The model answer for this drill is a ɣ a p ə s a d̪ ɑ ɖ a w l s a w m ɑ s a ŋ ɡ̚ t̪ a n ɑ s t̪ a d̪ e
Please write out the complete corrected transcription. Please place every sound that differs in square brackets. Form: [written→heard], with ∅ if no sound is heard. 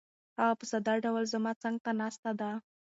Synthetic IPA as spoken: a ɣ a p ə s a d̪ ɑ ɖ a w l [s→z] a [w→∅] m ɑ [s→t͡s] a ŋ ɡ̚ t̪ a n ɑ s t̪ a d̪ [e→a]